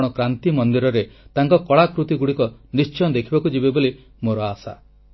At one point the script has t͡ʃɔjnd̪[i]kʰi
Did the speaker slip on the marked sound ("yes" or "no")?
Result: yes